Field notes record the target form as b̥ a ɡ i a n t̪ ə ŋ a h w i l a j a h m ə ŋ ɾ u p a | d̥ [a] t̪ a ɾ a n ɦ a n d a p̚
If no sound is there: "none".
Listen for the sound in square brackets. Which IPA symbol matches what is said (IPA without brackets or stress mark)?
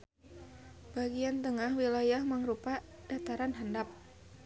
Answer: a